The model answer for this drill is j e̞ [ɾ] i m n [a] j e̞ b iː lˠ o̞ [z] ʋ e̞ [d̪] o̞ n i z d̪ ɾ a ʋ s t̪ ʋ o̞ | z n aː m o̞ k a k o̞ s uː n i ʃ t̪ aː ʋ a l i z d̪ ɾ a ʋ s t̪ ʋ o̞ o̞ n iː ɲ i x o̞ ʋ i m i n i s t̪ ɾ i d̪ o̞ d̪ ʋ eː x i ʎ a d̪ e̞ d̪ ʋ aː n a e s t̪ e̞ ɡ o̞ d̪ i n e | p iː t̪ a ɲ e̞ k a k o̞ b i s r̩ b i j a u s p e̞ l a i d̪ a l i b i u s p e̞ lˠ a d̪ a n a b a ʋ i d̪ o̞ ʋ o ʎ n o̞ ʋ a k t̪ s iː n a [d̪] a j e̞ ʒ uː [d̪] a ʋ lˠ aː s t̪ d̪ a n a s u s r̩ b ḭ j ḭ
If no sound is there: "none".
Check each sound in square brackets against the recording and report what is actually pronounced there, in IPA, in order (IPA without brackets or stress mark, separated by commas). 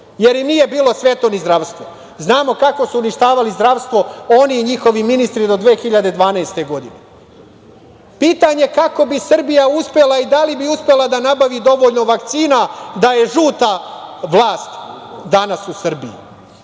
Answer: ɾ, i, s, t̪, d̪, t̪